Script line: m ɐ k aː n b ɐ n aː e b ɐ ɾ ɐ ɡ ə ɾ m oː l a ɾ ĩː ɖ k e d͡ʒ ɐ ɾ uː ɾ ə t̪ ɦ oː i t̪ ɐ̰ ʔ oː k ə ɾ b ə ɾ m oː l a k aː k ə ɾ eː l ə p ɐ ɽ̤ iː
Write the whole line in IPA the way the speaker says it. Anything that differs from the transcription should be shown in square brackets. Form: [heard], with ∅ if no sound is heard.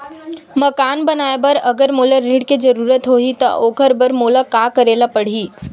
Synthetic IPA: m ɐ k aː n b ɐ n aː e b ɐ ɾ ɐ ɡ ə ɾ m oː l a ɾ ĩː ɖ k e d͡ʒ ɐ ɾ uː ɾ ə t̪ ɦ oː i t̪ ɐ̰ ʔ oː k ə ɾ b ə ɾ m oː l a k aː k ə ɾ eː l [a] p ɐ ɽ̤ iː